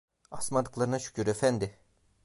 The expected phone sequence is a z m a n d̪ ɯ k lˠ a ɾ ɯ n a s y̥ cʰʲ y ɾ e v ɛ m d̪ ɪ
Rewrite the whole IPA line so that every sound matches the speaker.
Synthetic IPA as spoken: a s m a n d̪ ɯ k lˠ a ɾ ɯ n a ʃ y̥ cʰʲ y ɾ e f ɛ n d̪ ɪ